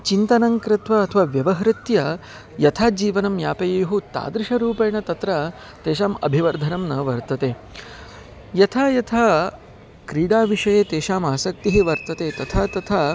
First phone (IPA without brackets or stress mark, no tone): t͡ʃ